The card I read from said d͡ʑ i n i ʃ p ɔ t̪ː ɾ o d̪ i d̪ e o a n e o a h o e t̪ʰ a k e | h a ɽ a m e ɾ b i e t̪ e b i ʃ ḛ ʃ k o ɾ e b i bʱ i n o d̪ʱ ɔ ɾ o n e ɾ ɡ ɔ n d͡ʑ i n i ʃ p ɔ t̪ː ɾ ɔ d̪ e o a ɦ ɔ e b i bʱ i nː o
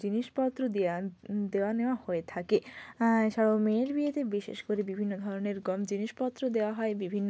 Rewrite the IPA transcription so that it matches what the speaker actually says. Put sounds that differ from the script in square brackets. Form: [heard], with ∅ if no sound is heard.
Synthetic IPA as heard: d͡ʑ i n i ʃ p ɔ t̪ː ɾ o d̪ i d̪ e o a n e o a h o e t̪ʰ a k e | [ʃ] a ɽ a m e ɾ b i e t̪ e b i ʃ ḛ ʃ k o ɾ e b i bʱ i [nː] o d̪ʱ ɔ ɾ o n e ɾ ɡ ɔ [m] d͡ʑ i n i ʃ p ɔ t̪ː ɾ [o] d̪ e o a ɦ ɔ e b i bʱ i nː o